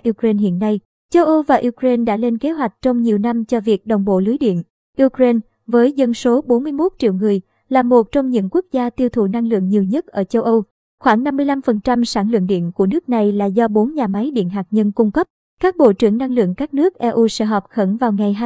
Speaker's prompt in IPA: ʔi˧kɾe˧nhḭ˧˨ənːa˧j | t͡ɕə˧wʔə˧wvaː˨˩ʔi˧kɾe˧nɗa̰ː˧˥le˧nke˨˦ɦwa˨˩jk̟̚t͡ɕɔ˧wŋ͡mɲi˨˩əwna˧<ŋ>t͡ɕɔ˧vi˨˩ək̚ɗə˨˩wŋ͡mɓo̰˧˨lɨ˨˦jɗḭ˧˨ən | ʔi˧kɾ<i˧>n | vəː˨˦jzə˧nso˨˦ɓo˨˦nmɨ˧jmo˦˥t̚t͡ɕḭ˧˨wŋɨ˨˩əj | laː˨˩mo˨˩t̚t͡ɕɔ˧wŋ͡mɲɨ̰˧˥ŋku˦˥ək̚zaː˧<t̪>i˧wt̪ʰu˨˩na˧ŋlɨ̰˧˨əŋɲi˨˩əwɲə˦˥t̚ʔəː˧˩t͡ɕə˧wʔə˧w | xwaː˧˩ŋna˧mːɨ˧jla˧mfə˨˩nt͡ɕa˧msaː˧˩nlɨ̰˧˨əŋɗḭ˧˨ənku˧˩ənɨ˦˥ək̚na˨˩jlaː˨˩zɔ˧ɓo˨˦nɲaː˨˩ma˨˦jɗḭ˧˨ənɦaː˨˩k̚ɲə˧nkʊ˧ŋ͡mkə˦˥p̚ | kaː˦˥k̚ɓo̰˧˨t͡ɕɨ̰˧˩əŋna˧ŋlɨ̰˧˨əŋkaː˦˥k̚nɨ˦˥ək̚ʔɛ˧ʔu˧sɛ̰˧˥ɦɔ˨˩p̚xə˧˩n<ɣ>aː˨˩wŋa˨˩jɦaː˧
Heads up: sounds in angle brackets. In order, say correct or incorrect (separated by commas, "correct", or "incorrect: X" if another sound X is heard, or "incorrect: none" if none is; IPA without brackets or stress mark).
incorrect: m, incorrect: e˧, correct, incorrect: v